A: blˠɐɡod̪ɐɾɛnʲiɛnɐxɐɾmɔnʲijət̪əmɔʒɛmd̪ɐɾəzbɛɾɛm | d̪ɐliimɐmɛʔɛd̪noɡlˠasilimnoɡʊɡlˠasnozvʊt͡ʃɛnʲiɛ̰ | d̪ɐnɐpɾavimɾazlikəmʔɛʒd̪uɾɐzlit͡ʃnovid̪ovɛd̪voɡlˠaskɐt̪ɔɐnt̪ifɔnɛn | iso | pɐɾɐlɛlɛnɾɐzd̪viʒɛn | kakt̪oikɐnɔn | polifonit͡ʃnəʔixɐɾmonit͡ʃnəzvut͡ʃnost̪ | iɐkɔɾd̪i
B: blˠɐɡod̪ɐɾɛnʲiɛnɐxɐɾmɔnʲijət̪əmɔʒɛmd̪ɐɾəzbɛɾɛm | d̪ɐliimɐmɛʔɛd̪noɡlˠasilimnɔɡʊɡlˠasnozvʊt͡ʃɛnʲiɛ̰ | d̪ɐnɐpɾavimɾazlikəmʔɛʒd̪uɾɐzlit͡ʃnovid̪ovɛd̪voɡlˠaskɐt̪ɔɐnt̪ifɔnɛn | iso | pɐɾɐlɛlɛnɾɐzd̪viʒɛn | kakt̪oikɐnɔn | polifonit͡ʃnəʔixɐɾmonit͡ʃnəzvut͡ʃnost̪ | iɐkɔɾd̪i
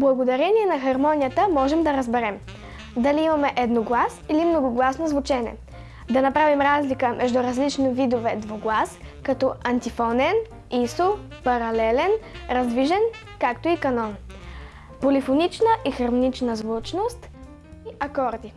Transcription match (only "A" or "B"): A